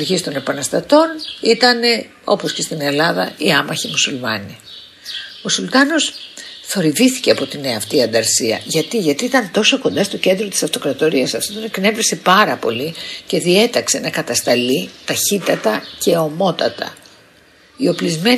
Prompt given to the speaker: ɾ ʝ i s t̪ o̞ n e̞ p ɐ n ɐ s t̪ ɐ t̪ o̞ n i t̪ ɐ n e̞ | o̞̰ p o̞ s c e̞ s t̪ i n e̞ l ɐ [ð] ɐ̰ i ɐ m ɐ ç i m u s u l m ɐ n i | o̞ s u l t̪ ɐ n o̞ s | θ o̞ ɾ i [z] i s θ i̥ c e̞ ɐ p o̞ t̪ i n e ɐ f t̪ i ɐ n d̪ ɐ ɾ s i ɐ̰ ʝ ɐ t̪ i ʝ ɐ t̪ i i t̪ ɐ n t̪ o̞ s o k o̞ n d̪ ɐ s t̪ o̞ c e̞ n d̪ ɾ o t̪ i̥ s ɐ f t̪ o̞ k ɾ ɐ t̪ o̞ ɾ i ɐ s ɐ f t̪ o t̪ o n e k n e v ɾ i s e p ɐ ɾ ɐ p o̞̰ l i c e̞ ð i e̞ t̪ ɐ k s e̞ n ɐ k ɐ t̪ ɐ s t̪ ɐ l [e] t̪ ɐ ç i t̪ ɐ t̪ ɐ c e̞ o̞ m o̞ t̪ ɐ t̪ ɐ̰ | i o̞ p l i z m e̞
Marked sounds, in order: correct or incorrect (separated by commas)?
correct, incorrect, incorrect